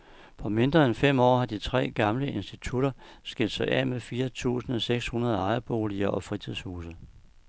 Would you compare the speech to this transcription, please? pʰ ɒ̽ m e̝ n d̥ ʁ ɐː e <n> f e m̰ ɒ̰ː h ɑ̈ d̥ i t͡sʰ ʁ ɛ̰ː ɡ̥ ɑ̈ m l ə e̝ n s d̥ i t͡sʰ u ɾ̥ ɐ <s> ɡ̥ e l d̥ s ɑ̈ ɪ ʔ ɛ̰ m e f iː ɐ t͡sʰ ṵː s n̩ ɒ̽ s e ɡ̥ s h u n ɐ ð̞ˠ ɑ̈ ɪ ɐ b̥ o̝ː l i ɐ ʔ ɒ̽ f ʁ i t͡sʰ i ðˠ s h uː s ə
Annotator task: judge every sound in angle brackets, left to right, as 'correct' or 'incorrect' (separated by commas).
correct, correct